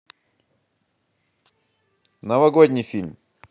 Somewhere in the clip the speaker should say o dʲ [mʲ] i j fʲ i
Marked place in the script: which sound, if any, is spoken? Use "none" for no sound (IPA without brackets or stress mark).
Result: nʲ